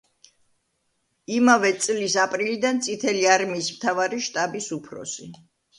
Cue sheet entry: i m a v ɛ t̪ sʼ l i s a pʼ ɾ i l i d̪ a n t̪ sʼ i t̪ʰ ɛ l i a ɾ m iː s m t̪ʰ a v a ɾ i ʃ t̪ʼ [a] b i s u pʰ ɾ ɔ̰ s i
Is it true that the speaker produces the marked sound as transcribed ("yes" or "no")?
yes